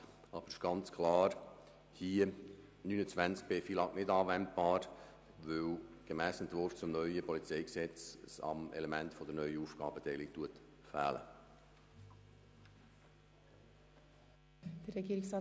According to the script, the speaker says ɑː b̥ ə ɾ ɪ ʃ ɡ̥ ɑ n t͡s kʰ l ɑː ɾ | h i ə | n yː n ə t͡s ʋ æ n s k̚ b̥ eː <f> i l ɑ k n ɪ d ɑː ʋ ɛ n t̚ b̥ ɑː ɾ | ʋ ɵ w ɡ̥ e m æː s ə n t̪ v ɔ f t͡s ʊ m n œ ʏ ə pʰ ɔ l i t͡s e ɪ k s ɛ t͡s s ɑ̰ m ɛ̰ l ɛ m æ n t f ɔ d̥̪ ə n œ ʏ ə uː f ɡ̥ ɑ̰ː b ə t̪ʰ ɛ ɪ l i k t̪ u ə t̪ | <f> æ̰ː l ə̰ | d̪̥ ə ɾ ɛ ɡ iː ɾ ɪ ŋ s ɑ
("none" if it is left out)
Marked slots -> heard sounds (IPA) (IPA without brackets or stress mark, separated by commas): f, f